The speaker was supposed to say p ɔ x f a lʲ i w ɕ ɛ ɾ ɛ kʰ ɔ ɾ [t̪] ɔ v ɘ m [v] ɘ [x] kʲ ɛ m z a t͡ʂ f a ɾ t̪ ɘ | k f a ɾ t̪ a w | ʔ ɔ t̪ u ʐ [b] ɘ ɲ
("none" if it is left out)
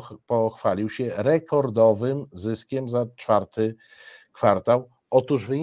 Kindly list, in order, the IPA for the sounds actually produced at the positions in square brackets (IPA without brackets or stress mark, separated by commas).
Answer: d̪, z, s, v